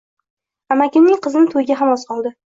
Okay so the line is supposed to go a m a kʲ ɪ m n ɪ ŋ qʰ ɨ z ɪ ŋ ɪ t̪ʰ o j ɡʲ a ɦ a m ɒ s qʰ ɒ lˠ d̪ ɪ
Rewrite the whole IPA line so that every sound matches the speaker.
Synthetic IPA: a m a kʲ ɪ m n ɪ ŋ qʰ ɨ z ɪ n ɪ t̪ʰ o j ɡʲ a ɦ a m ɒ s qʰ ɒ lˠ d̪ ɪ